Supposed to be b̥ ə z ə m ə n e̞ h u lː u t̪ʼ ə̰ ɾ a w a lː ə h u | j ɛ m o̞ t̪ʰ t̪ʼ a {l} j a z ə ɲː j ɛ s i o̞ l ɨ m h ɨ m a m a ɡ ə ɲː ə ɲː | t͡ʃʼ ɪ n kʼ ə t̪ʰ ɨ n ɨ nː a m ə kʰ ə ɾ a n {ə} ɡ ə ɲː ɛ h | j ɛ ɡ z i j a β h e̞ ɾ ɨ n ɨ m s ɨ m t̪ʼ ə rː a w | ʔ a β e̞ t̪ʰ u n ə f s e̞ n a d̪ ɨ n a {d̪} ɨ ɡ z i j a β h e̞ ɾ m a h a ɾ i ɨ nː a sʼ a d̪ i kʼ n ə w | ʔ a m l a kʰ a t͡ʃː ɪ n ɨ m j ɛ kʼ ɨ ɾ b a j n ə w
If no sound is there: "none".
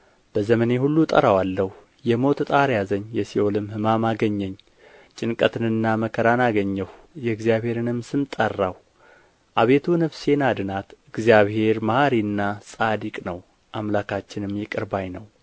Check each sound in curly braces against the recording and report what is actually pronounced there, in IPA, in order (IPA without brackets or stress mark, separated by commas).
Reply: ɾ, a, t̪